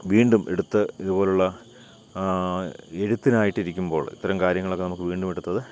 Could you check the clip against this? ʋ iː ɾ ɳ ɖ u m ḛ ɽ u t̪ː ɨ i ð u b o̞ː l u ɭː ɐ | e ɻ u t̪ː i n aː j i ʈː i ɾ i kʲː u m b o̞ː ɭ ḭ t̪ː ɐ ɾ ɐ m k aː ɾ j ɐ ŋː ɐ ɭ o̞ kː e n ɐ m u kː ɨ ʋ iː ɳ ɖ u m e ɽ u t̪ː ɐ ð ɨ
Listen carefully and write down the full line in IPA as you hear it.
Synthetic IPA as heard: ʋ iː ɳ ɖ u m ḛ ɽ u t̪ː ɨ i ð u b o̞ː l u ɭː ɐ | e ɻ u t̪ː i n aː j i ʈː i ɾ i kʲː u m b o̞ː ɭ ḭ t̪ː ɐ ɾ ɐ m k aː ɾ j ɐ ŋː ɐ ɭ o̞ kː e n ɐ m u kː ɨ ʋ iː ɳ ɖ u m e ɽ u t̪ː ɐ ð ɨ

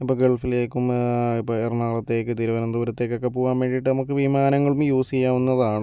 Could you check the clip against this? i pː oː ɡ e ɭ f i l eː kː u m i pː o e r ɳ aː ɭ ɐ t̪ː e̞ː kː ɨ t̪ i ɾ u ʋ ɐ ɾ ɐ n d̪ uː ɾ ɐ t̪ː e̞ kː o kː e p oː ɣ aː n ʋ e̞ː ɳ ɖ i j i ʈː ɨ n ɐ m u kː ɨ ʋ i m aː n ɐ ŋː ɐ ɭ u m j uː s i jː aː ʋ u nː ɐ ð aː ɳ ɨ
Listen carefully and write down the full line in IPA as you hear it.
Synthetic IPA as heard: i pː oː ɡ e ɭ f i l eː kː u m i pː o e r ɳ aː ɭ ɐ t̪ː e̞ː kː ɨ t̪ i ɾ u ʋ ɐ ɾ ɐ n d̪ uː ɾ ɐ t̪ː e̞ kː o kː e p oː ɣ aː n ʋ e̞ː ɳ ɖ i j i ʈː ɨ n ɐ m u kː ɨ ʋ i m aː n ɐ ŋː ɐ ɭ u m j uː s i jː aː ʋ u nː ɐ ð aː ɳ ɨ

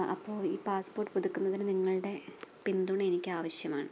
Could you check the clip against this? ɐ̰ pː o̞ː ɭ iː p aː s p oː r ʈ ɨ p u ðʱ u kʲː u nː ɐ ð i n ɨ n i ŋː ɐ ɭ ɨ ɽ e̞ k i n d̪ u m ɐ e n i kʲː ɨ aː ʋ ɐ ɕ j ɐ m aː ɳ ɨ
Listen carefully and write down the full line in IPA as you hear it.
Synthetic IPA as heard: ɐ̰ pː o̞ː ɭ iː p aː s p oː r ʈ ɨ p u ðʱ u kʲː u nː ɐ ð i n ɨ n i ŋː ɐ ɭ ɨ ɽ e̞ p i n d̪ u ɳ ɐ e n i kʲː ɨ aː ʋ ɐ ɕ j ɐ m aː ɳ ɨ

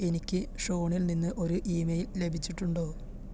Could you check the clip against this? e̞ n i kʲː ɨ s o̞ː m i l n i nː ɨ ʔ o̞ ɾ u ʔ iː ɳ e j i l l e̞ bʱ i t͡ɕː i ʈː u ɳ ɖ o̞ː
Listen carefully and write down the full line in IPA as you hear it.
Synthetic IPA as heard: e̞ n i kʲː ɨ ʂ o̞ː ɳ i l n i nː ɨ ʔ o̞ ɾ u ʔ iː m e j i l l e̞ bʱ i t͡ɕː i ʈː u ɳ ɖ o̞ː

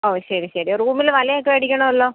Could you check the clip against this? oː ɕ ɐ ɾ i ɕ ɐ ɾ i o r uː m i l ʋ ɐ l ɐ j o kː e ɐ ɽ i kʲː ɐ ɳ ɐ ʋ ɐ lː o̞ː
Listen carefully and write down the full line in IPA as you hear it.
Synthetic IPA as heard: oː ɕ ɐ ɾ i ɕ ɐ ɾ i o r uː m i l ʋ ɐ l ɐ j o kː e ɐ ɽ i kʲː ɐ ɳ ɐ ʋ ɐ lː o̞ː

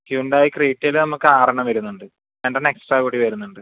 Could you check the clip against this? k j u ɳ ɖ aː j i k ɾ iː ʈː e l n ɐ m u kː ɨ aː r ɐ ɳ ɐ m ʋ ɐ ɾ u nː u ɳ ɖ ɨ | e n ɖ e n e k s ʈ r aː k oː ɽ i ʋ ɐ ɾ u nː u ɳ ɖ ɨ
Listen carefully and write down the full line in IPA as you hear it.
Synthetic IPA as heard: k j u ɳ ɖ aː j i k r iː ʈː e l n ɐ m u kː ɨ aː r ɐ ɳ ɐ m ʋ ɐ ɾ u nː u ɳ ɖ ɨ | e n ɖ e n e k s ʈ r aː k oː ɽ i ʋ ɐ ɾ u nː u ɳ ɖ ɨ

